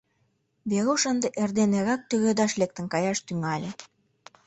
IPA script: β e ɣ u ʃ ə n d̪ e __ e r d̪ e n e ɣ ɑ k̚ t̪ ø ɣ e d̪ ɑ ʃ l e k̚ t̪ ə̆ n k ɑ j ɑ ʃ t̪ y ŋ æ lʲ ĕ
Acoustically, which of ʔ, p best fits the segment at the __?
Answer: ʔ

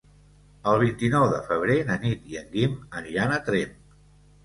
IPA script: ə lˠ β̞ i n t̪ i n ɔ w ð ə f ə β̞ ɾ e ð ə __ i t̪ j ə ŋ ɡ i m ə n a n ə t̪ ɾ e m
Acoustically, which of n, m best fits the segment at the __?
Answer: n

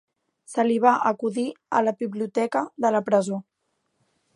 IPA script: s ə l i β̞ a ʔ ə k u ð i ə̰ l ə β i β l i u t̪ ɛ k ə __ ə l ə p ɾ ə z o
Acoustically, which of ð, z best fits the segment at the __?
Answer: ð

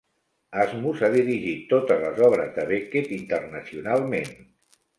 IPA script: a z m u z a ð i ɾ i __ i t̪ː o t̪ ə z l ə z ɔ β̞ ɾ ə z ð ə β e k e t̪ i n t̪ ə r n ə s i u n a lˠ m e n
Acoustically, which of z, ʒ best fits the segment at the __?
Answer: ʒ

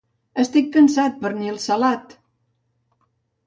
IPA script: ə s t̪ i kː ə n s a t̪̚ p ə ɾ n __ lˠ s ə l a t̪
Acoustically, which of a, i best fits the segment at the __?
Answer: i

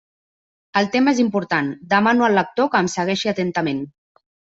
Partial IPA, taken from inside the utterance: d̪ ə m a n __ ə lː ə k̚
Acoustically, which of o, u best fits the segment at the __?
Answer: u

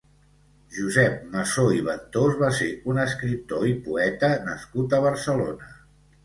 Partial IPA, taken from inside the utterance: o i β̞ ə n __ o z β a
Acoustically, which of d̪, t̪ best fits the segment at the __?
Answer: t̪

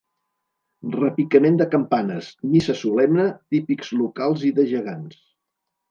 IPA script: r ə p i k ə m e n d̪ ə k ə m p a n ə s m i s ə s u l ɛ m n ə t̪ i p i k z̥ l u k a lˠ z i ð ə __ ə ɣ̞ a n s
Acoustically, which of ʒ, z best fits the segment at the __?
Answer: ʒ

